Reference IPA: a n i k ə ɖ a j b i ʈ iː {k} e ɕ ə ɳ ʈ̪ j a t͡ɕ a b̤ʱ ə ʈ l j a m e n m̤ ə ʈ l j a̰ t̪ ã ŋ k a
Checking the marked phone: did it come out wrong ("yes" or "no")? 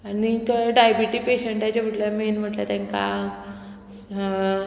yes